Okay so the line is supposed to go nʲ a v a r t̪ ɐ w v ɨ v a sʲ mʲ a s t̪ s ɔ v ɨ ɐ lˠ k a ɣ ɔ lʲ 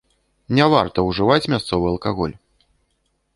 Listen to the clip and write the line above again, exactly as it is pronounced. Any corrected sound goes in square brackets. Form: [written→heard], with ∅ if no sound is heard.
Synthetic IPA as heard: nʲ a v a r t̪ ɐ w [v→ʐ] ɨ v a [sʲ→t͡sʲ] mʲ a s t̪ s ɔ v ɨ ɐ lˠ k a ɣ ɔ lʲ